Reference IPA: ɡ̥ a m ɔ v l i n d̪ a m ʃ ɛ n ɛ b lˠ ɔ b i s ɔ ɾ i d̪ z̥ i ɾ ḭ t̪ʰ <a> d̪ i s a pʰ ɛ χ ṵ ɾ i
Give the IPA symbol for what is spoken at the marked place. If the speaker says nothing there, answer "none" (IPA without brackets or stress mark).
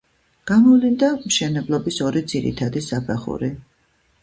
a